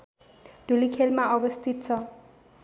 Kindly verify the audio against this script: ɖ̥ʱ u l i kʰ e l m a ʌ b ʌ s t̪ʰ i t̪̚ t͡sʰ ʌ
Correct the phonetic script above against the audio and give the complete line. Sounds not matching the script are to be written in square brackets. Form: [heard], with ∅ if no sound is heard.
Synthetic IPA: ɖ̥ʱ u l i kʰ e l m a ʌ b ʌ s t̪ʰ i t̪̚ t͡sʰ ʌ